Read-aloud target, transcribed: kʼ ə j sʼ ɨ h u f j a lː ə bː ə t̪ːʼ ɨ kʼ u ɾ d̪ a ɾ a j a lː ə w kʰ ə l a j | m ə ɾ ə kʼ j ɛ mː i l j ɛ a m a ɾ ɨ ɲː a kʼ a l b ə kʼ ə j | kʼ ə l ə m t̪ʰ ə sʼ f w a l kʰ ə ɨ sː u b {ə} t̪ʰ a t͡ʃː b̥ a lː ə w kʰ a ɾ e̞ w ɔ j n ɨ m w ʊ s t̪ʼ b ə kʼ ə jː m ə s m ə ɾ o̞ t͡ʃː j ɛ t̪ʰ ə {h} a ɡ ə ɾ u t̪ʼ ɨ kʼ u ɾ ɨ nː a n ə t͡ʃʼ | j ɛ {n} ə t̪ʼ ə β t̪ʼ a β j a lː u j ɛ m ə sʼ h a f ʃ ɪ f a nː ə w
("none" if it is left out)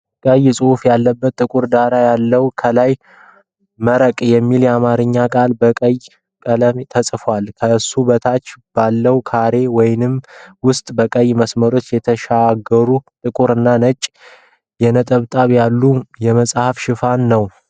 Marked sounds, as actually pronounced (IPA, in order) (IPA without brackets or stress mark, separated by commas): ə, ʃ, n